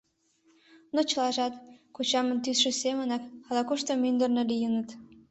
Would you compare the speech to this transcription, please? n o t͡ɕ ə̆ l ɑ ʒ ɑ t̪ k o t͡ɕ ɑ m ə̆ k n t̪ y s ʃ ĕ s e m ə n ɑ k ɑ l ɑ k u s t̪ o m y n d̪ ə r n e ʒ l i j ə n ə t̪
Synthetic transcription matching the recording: n o t͡ɕ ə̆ l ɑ ʒ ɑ t̪ k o t͡ɕ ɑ m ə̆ n t̪ y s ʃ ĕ s e m ə n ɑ k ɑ l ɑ k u ʃ t̪ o m y n d̪ ə r n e l i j ə n ə t̪